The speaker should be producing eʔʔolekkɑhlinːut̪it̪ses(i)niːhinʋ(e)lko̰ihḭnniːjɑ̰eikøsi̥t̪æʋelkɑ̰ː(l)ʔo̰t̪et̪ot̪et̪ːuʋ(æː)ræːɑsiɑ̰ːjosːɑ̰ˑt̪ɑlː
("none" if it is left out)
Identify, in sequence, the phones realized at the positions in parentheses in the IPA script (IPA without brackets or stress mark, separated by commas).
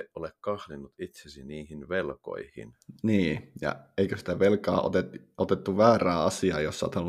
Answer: i, e, none, æː